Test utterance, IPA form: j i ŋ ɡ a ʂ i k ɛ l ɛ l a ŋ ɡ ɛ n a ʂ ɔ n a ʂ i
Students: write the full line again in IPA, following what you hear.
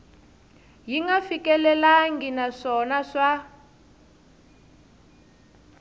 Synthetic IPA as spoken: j i ŋ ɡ a f i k ɛ l ɛ l a ŋ ɡ i n a ʂ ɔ n a ʂ a